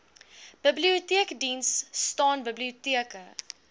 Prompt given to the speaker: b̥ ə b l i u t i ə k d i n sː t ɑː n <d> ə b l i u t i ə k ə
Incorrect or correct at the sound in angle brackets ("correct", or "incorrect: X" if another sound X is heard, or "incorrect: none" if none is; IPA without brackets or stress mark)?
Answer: incorrect: b